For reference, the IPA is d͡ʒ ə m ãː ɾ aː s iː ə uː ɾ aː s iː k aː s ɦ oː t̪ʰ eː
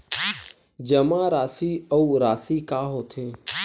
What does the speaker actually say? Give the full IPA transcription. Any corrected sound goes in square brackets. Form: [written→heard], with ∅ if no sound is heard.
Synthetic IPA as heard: d͡ʒ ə m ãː ɾ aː s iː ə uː ɾ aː s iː k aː [s→∅] ɦ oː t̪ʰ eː